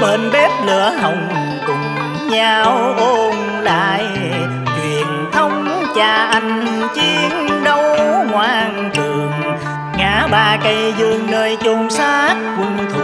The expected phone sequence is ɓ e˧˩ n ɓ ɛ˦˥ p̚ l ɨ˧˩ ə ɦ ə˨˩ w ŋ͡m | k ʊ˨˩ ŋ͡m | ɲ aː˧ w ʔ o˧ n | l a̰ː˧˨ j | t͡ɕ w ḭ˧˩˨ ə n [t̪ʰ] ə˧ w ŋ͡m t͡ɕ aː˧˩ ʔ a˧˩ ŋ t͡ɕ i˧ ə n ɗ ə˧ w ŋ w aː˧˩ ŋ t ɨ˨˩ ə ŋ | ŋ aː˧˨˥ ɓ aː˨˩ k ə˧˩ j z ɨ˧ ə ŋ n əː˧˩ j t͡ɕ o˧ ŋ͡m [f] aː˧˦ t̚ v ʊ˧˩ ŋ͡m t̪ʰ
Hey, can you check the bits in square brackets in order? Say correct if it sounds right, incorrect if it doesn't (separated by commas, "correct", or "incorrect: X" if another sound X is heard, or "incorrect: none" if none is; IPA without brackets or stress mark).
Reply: correct, incorrect: s